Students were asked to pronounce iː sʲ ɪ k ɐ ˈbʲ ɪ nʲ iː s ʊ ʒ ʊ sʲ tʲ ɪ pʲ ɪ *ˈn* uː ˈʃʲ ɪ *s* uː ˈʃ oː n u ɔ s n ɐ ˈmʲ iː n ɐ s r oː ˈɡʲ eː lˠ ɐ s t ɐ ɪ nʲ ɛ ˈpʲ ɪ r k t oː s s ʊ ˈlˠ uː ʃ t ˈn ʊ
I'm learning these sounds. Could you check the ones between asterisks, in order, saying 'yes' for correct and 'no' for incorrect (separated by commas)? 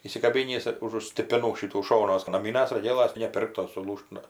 yes, no